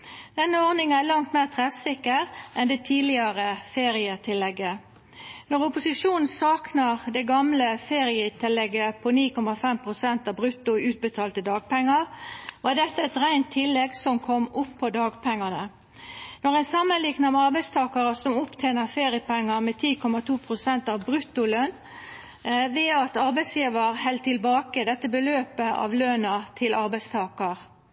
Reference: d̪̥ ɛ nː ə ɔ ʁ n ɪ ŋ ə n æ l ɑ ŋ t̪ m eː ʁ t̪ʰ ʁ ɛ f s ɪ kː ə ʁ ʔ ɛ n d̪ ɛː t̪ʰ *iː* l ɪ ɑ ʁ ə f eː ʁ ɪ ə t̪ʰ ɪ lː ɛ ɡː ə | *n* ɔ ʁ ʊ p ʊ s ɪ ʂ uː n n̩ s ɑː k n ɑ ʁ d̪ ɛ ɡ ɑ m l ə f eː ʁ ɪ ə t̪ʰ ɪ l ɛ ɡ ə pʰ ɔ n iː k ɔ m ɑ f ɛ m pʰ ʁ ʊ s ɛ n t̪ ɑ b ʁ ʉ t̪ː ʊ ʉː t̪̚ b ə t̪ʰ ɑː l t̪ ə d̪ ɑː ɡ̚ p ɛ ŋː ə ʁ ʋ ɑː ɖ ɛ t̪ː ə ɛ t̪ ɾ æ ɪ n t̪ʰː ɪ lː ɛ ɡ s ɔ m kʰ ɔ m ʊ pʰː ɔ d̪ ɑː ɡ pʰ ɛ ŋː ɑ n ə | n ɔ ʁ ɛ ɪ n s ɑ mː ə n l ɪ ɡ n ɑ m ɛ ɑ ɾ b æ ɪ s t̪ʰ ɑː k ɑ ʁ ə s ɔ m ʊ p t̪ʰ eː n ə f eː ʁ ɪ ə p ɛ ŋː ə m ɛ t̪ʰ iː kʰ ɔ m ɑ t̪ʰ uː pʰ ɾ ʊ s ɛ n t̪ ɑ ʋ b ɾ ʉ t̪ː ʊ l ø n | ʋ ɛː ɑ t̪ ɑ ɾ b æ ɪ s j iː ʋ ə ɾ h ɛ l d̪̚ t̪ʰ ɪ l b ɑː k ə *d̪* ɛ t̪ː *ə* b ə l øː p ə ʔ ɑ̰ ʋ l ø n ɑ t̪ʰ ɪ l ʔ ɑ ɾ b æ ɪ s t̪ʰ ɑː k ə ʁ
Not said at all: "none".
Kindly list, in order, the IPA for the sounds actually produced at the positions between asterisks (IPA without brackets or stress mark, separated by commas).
iː, n, d̪, ə